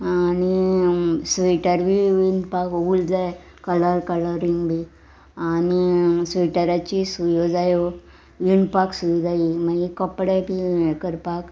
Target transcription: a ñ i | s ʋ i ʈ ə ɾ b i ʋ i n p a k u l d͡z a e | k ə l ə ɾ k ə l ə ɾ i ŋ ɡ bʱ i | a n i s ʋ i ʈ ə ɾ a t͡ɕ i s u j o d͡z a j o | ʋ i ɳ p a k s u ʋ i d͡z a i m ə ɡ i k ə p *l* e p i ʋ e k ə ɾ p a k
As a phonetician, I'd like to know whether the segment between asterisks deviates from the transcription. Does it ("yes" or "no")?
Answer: yes